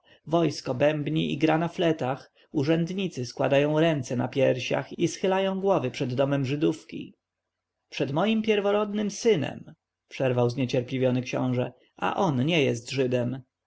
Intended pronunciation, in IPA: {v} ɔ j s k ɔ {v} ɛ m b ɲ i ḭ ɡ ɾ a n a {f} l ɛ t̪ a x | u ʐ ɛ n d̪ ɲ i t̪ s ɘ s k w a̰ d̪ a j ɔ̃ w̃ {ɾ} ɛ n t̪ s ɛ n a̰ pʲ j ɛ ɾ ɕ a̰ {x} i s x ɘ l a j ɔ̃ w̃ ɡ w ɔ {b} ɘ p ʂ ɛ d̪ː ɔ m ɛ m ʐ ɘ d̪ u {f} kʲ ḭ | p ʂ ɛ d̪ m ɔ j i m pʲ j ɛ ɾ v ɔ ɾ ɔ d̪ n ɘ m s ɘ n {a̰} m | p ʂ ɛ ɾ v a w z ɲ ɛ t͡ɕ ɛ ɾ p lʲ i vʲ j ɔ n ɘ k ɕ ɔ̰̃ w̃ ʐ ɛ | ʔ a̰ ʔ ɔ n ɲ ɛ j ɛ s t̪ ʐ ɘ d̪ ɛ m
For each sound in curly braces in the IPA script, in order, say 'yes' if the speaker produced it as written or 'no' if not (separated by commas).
yes, no, yes, yes, yes, no, yes, no